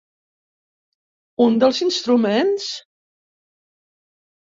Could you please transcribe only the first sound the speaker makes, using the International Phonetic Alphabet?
u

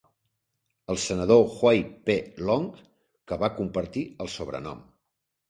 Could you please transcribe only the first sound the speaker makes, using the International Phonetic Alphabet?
ə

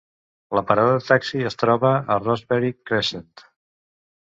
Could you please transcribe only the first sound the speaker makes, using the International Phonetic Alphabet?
l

